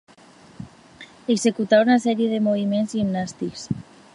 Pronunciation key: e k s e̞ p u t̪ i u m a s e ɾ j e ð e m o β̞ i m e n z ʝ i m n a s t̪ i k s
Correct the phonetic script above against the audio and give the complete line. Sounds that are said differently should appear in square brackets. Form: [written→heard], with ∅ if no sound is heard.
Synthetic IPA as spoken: e k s e̞ [p→k] u t̪ [i→a] u [m→n] a s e ɾ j e ð e m o β̞ i m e n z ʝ i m n a s t̪ i k s